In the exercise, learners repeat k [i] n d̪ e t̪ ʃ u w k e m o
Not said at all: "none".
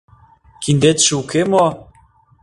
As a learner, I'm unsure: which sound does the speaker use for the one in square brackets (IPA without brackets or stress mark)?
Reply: i